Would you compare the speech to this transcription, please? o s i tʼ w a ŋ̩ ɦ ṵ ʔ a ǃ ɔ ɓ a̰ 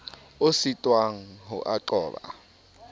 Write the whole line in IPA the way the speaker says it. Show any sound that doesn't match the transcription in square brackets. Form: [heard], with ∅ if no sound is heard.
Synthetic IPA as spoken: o s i tʼ w a ŋ̩ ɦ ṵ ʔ a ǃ [ɔː] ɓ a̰